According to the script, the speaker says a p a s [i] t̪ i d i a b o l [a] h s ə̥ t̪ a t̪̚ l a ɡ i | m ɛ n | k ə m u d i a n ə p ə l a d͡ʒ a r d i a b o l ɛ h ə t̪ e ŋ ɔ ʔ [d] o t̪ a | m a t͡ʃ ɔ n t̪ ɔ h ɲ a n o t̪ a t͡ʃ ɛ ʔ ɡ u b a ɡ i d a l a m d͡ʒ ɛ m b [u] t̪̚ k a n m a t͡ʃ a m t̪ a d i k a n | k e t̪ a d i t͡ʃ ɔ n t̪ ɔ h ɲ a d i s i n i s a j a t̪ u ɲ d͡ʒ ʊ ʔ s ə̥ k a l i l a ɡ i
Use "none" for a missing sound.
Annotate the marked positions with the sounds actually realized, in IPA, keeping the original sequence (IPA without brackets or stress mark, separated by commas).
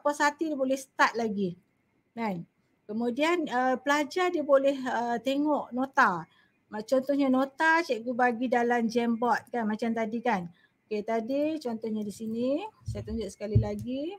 a, ɛ, n, ɔ